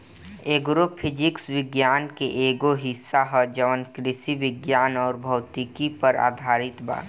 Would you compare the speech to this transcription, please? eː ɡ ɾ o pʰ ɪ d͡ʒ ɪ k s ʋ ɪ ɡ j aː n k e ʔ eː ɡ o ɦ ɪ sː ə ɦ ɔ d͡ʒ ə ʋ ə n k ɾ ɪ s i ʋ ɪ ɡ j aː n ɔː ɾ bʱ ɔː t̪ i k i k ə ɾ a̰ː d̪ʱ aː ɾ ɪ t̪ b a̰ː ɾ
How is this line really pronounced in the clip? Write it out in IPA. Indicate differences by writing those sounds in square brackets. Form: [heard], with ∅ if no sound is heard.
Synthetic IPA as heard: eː ɡ ɾ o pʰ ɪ d͡ʒ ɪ k s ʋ ɪ ɡ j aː n k e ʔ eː ɡ o ɦ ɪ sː [a] ɦ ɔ d͡ʒ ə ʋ ə n k ɾ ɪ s i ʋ ɪ ɡ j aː n ɔː ɾ bʱ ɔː t̪ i k i [p] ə ɾ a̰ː d̪ʱ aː ɾ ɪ t̪ b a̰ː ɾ